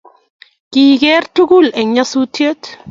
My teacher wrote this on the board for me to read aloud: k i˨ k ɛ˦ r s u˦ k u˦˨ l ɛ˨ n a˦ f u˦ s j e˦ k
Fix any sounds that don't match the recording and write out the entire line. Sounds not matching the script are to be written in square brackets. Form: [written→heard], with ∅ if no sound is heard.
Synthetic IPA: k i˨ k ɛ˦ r [s→t] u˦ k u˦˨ l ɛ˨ [n→ɲ] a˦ [f→s] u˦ [s→t] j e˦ [k→t]